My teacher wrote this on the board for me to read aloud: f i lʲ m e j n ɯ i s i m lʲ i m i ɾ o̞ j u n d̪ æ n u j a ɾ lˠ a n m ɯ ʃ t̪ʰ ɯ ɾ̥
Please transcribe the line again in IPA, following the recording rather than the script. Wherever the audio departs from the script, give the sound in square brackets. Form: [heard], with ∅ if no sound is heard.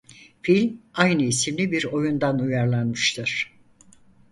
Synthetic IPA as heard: f i lʲ m [a] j n ɯ i s i m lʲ i [b] i ɾ o̞ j u n d̪ [a] n u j a ɾ lˠ a n m ɯ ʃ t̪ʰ ɯ ɾ̥